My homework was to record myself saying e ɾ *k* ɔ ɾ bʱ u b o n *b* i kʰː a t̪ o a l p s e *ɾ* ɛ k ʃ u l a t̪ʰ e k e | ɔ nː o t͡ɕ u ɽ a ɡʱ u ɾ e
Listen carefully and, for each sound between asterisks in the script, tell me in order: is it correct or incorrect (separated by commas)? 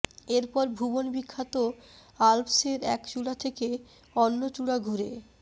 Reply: incorrect, correct, correct